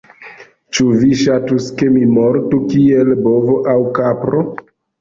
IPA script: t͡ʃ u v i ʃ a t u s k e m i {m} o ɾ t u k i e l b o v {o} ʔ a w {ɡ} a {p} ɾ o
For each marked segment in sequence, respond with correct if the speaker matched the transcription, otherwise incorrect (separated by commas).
correct, correct, incorrect, correct